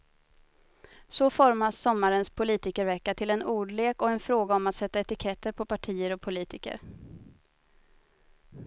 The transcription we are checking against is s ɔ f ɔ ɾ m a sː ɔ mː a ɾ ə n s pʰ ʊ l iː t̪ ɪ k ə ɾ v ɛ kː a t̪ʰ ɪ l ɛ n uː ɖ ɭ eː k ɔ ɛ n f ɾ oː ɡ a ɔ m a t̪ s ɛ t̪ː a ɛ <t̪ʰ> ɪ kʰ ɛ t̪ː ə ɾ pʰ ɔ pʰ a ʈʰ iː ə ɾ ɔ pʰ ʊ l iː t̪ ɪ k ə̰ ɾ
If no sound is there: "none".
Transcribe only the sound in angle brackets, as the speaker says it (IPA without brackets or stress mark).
t̪